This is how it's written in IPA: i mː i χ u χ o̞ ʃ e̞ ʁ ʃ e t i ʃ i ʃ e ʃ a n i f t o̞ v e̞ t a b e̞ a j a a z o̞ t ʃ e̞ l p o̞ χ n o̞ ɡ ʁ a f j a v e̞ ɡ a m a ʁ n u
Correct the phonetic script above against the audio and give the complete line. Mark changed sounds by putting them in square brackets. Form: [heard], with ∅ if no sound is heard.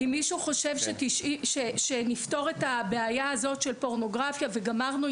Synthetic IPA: i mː i [ʃ] u χ o̞ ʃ e̞ [v] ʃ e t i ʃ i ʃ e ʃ [e] n i f t o̞ [ʁ] e̞ t a b e̞ a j a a z o̞ t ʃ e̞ l p o̞ [ʁ] n o̞ ɡ ʁ a f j a v e̞ ɡ a m a ʁ n u